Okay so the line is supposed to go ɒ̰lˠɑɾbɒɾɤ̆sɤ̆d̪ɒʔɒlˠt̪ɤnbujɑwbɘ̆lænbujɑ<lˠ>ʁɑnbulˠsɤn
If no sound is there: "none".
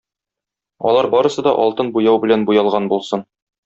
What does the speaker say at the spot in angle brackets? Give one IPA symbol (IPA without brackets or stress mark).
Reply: lˠ